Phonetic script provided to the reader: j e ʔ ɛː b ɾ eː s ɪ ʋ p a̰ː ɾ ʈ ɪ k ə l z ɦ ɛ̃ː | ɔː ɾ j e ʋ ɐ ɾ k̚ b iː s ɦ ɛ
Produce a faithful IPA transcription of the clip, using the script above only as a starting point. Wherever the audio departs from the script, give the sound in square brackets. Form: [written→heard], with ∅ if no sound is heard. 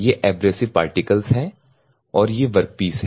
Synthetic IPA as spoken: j e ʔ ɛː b ɾ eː s ɪ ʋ p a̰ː ɾ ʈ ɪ k ə l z ɦ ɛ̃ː | ɔː ɾ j e ʋ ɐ ɾ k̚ [b→p] iː s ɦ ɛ